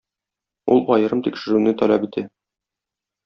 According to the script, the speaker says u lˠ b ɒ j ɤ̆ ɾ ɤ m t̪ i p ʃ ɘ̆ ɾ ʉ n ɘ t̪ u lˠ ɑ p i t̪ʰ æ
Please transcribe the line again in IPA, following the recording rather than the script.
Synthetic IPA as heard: u lˠ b ɒ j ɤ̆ ɾ ɤ m t̪ i k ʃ ɘ̆ ɾ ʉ n ɘ t̪ ɒ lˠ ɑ p i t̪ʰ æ